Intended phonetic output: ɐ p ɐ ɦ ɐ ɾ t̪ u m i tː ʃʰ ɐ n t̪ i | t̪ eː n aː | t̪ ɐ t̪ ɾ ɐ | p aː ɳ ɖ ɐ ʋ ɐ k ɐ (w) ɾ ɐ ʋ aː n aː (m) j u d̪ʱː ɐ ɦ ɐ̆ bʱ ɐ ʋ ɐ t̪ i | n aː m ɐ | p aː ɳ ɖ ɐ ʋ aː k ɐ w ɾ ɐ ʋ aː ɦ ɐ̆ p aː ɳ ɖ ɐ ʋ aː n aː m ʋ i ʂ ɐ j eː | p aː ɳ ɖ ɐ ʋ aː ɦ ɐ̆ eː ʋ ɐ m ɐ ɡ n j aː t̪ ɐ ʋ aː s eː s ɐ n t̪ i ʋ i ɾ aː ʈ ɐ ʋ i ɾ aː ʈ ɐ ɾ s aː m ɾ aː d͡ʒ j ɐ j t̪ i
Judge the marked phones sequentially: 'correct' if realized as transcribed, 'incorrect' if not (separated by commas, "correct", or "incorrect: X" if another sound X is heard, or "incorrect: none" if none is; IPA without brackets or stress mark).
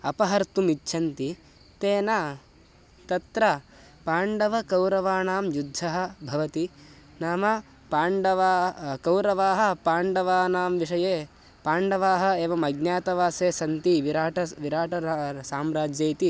correct, correct